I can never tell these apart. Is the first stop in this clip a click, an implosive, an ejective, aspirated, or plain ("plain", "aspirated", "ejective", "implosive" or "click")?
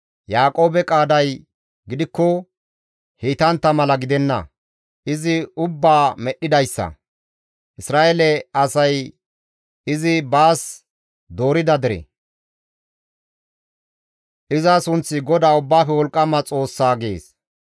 ejective